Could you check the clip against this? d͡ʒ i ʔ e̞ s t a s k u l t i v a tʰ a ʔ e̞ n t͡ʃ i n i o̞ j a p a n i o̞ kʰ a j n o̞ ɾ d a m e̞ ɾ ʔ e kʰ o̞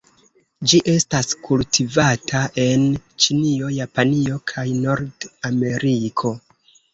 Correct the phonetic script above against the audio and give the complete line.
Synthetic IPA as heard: d͡ʒ i ʔ e̞ s t a s k u l t i v a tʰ a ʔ e̞ n t͡ʃ i n i o̞ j a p a n i o̞ kʰ a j n o̞ ɾ d a m e̞ ɾ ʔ i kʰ o̞